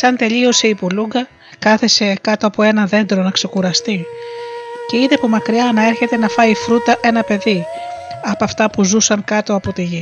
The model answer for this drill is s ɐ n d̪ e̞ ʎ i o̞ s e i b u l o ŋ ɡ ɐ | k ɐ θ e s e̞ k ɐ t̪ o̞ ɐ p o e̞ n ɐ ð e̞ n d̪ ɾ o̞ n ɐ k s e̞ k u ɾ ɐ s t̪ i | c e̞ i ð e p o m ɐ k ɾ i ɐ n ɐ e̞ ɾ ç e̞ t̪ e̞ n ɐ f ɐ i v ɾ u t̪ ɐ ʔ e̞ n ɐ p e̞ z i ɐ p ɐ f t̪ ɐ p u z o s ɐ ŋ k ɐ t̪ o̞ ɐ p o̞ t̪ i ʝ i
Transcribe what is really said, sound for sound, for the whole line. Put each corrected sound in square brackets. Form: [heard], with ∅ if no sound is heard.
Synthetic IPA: s ɐ n [t̪] e̞ ʎ i o̞ s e i [p] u l [u] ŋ ɡ ɐ | k ɐ θ e s e̞ k ɐ t̪ o̞ ɐ p o e̞ n ɐ ð e̞ n d̪ ɾ o̞ n ɐ k s e̞ k u ɾ ɐ s t̪ i | c e̞ i ð e p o m ɐ k ɾ i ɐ n ɐ e̞ ɾ ç e̞ t̪ e̞ n ɐ f ɐ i [f] ɾ u t̪ ɐ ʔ e̞ n ɐ p e̞ [ð] i ɐ p ɐ f t̪ ɐ p u z [u] s ɐ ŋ k ɐ t̪ o̞ ɐ p o̞ t̪ i ʝ i